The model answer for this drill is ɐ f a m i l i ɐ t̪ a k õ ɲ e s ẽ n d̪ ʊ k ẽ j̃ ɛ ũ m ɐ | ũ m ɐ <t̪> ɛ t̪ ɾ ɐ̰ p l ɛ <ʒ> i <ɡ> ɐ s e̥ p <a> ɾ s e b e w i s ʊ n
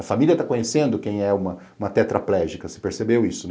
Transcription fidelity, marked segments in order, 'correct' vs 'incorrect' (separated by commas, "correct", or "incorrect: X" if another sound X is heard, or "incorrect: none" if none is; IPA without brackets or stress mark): correct, correct, incorrect: k, incorrect: e